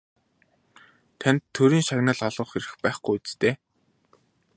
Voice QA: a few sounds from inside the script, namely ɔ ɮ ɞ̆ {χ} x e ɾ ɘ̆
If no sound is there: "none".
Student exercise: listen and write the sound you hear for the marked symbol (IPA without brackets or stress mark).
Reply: χ